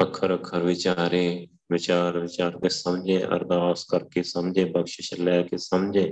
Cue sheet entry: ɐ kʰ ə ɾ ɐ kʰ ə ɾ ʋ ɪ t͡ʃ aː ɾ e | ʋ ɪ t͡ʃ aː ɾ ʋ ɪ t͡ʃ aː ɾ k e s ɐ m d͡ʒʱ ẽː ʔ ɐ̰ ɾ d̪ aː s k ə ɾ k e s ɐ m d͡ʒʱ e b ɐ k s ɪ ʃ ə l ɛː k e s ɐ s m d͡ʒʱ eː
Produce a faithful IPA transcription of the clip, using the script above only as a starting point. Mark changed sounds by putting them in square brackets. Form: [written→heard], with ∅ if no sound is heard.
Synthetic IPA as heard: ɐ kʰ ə ɾ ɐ kʰ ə ɾ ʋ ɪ t͡ʃ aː ɾ e | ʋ ɪ t͡ʃ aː ɾ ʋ ɪ t͡ʃ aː ɾ k e s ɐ m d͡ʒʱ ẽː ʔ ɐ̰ ɾ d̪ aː s k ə ɾ k e s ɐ m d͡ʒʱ e b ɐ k [s→ʃ] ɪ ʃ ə l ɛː k e s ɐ [s→∅] m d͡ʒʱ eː